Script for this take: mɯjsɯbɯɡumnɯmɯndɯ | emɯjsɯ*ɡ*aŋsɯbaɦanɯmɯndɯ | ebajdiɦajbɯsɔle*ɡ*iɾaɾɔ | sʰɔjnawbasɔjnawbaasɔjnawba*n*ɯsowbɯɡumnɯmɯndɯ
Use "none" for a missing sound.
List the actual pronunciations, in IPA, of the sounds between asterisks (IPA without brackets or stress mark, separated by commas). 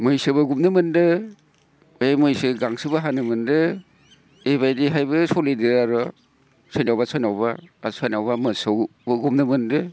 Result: ɡ, d, m